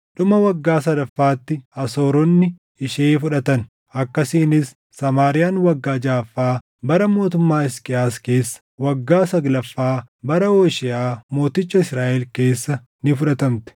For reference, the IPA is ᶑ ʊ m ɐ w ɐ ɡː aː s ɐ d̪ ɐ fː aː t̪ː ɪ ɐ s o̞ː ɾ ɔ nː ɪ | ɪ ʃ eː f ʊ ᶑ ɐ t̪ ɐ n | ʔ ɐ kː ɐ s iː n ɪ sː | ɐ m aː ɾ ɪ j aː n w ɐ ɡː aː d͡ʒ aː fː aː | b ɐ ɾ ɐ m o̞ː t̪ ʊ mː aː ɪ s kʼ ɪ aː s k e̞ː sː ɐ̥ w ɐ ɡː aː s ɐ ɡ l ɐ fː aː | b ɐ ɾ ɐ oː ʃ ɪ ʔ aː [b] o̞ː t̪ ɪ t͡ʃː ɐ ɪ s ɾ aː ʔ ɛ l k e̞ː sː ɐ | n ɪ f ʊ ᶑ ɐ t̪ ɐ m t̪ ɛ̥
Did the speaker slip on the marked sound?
yes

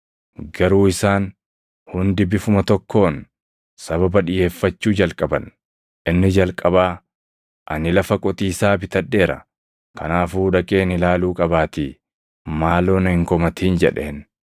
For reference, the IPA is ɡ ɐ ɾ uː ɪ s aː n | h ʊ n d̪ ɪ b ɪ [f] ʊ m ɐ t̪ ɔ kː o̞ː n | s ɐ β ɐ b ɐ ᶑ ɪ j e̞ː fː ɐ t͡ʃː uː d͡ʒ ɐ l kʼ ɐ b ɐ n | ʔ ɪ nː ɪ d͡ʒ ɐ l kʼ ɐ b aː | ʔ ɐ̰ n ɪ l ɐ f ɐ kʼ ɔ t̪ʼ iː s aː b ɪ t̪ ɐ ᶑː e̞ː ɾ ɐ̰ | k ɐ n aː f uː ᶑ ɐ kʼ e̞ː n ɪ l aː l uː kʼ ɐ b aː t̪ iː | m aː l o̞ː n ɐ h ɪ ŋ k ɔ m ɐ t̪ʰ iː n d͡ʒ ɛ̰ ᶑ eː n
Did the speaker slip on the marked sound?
no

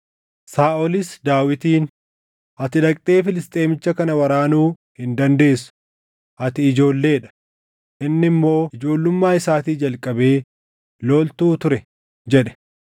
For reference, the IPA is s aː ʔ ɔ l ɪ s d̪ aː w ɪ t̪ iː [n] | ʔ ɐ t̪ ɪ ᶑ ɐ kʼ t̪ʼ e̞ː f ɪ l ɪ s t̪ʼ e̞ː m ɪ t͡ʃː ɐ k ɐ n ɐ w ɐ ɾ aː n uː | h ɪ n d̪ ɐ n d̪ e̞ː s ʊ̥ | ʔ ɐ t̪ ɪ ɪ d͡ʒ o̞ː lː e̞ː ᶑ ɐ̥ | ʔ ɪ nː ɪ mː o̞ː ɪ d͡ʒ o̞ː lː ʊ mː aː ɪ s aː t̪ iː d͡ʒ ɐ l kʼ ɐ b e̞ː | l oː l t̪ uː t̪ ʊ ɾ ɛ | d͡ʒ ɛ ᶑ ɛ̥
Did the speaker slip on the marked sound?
no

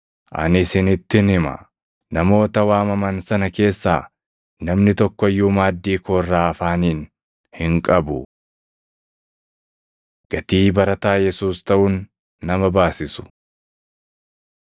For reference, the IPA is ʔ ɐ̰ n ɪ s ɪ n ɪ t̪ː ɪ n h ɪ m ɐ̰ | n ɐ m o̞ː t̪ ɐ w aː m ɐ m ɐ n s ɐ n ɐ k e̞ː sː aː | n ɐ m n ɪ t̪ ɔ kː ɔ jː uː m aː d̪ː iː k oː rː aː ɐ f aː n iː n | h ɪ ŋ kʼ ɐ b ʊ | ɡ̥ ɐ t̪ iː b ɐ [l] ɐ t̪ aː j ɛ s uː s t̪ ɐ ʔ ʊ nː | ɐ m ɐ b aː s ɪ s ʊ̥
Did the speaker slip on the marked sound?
yes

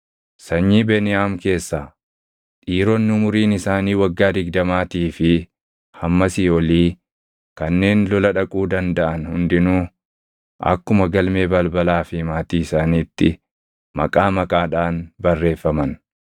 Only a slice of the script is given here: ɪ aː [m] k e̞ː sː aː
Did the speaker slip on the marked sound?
no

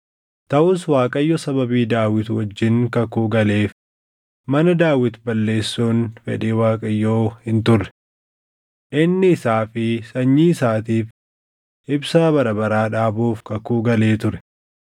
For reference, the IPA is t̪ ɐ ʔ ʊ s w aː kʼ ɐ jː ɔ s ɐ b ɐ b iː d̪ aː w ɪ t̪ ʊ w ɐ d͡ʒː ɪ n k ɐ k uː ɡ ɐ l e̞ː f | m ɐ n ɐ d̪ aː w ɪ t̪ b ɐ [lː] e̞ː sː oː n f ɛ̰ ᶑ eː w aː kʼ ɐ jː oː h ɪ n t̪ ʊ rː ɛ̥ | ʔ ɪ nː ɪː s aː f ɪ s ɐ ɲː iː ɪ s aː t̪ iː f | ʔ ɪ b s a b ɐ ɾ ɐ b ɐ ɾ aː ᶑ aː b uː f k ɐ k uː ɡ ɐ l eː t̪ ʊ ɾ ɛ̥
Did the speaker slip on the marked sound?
no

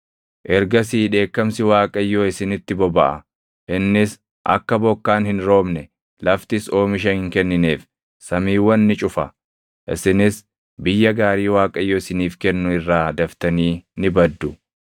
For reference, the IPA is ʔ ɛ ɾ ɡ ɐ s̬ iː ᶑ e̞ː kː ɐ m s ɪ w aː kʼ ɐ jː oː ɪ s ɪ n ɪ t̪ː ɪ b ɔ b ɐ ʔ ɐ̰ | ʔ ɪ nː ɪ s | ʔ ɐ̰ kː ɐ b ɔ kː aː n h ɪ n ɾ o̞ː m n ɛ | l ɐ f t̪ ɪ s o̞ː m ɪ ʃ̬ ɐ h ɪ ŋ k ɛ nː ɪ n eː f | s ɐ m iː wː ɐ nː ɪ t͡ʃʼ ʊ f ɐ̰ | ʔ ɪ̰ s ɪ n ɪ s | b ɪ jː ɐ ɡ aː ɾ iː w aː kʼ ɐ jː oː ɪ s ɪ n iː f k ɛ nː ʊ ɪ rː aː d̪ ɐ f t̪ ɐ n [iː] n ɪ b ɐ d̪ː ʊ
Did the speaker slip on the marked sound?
no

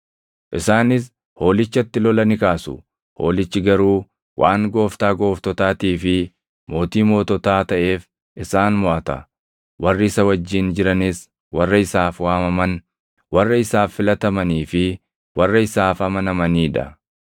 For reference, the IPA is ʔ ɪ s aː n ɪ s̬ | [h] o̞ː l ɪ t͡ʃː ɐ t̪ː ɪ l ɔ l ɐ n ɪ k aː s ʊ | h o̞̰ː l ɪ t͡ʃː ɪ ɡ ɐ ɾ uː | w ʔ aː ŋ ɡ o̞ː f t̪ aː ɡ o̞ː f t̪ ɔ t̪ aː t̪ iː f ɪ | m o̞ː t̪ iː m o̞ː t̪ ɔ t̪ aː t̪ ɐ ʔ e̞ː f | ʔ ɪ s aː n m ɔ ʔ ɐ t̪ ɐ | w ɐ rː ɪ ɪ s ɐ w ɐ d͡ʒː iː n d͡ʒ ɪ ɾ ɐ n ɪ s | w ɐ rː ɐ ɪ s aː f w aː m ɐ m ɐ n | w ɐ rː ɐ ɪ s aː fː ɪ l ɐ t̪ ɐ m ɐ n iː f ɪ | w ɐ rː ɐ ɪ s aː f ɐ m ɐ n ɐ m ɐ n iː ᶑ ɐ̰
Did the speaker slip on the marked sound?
no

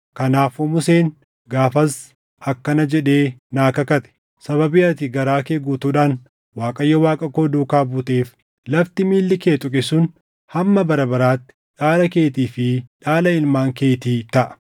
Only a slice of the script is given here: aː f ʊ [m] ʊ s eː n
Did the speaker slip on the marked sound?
no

